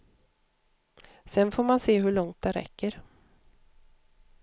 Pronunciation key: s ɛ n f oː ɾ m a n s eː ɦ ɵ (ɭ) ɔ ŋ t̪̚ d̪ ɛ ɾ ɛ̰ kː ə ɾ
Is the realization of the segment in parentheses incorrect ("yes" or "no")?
no